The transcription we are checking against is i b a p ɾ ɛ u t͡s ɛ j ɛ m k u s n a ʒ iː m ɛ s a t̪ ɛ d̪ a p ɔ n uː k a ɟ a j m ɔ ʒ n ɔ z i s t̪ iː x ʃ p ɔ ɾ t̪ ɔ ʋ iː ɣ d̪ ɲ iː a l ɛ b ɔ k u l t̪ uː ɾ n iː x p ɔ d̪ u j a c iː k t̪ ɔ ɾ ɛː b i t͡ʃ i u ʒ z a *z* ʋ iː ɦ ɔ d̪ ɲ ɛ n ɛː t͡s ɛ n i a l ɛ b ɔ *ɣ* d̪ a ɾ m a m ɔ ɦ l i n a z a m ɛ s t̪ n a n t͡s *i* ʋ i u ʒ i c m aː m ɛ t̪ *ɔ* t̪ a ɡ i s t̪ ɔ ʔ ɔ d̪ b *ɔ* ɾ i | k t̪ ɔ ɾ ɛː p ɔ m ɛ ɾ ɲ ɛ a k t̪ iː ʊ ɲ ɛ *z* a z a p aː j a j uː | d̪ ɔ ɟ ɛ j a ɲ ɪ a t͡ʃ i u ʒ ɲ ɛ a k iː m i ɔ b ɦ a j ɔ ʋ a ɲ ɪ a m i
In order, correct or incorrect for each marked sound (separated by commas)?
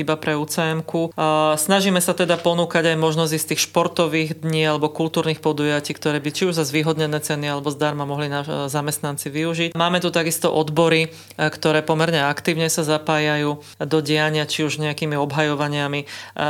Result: correct, incorrect, correct, incorrect, correct, incorrect